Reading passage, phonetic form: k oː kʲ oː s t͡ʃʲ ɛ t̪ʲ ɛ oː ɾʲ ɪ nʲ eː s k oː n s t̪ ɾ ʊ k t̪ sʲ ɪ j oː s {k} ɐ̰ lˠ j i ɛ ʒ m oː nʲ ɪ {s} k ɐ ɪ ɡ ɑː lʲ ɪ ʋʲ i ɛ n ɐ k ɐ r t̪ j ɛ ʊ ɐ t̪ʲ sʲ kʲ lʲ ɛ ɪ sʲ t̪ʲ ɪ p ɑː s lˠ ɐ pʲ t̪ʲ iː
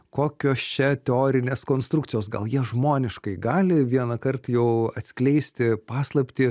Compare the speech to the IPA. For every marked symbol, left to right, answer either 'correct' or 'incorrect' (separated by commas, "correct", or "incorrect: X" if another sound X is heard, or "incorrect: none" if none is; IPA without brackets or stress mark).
incorrect: ɡ, incorrect: ʃ